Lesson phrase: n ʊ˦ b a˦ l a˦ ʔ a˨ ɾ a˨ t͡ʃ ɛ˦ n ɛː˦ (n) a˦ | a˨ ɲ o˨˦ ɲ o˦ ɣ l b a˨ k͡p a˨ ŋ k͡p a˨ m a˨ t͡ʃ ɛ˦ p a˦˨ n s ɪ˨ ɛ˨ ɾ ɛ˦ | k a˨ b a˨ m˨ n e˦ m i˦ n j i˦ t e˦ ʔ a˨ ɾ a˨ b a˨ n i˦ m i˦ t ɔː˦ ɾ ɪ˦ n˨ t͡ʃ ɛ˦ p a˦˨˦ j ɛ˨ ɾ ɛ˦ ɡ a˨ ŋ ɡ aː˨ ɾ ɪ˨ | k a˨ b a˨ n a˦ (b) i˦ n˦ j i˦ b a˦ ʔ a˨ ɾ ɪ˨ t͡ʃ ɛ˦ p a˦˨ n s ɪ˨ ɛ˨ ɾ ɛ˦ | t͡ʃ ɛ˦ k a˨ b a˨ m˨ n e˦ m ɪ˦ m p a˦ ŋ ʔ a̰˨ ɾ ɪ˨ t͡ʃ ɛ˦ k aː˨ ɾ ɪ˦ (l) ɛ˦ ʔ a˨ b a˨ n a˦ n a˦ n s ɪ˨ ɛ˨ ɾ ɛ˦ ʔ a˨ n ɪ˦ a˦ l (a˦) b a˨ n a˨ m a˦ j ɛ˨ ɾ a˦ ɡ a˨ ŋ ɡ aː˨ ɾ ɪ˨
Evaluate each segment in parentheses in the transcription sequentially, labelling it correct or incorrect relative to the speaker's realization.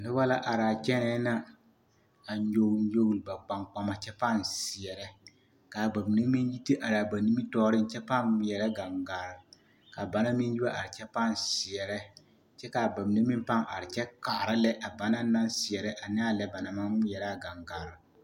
correct, incorrect: m, correct, incorrect: ɛ˦

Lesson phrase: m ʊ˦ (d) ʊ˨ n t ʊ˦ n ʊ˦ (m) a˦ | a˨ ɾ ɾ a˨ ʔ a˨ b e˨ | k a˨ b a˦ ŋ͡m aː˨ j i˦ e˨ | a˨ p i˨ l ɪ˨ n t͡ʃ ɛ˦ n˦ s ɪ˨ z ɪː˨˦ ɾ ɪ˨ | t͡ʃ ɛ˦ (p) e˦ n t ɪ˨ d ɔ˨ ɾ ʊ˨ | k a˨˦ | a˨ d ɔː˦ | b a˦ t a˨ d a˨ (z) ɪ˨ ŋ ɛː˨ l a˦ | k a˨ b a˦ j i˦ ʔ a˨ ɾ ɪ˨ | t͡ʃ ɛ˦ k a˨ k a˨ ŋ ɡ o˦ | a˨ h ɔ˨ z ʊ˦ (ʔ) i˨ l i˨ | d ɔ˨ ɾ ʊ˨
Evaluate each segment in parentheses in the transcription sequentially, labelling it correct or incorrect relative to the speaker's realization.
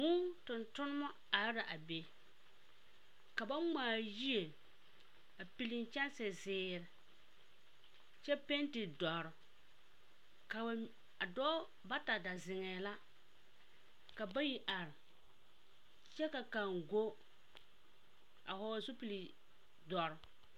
incorrect: t, correct, correct, correct, incorrect: p

